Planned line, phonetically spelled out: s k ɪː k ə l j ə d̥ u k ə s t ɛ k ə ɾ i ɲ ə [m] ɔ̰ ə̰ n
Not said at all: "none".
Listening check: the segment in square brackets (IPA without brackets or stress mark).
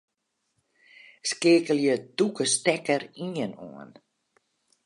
n